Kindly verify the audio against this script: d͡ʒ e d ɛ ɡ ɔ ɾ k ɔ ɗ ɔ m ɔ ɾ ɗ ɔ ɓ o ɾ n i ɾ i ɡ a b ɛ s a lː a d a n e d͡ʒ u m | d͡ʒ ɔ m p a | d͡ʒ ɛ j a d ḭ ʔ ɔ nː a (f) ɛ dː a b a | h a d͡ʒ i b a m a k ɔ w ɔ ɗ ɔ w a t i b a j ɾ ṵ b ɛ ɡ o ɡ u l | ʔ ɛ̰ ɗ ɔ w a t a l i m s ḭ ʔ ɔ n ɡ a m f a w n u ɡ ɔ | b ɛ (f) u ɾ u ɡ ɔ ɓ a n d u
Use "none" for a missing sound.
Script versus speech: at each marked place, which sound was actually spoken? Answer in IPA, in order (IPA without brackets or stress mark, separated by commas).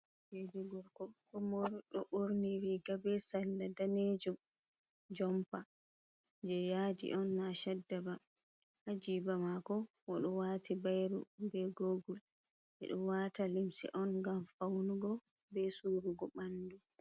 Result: ʃ, s